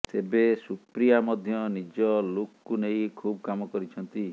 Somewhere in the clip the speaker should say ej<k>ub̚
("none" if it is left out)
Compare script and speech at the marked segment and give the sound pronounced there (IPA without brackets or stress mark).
kʰ